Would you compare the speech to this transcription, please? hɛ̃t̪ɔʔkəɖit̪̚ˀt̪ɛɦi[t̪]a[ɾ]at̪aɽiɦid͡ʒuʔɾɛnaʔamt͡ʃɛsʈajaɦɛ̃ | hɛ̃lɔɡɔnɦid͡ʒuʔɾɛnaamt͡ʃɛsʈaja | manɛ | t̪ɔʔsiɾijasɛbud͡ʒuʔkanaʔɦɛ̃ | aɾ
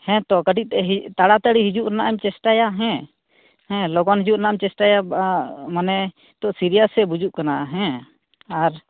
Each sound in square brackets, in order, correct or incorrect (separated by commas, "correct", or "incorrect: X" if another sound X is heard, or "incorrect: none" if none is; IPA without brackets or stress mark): correct, incorrect: ɽ